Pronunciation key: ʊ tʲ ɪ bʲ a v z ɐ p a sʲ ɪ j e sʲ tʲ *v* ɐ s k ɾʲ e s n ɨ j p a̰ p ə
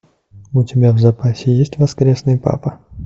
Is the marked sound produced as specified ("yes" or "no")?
yes